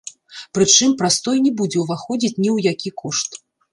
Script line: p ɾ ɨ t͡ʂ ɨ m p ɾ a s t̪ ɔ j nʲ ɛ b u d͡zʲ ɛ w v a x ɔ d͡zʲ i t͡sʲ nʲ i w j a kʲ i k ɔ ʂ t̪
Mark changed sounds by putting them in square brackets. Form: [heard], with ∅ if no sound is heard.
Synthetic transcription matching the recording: p ɾ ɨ t͡ʂ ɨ m p ɾ a s t̪ ɔ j nʲ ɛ b u d͡zʲ ɛ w v a x ɔ d͡zʲ i t͡sʲ nʲ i w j a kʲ i k ɔ ʂ t̪